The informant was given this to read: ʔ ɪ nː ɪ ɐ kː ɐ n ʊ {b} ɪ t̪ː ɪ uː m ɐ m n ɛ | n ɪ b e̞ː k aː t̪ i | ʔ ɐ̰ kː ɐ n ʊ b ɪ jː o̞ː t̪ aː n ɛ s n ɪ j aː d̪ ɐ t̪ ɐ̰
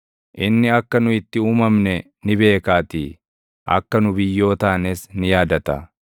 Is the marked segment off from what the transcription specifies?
yes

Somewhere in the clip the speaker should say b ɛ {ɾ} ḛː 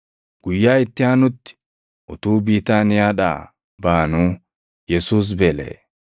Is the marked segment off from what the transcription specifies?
yes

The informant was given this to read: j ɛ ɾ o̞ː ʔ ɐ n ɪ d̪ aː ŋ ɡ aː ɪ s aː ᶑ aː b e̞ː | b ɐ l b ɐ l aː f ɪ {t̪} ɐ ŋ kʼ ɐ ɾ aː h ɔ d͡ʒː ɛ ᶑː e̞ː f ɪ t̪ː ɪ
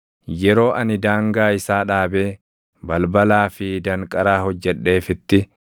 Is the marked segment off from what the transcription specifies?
yes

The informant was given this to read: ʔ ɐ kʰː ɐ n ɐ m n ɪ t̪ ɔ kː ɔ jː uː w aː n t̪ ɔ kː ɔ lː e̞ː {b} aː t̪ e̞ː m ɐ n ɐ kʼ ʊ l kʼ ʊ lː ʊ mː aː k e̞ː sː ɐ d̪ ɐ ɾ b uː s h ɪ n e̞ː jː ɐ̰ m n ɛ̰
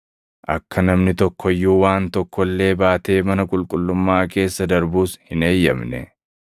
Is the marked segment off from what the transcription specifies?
no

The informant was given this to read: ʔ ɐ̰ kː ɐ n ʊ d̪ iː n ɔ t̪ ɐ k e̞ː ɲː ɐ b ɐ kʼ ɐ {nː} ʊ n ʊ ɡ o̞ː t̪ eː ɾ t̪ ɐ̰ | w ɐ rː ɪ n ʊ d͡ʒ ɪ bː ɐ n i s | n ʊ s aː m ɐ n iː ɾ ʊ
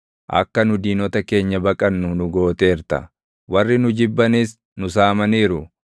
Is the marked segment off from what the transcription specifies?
no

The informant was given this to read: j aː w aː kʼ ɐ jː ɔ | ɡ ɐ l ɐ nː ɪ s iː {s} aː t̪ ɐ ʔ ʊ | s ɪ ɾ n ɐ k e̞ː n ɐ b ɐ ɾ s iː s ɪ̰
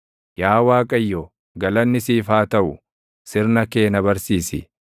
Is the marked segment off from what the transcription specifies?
yes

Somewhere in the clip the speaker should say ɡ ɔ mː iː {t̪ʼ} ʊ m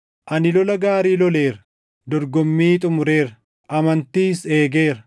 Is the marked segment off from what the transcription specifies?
no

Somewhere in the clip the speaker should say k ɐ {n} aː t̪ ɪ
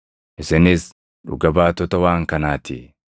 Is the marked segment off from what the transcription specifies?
no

